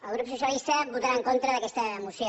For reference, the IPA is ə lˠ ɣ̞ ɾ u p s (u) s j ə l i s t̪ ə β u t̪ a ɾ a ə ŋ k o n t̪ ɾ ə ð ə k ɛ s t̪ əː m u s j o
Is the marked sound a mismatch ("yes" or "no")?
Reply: no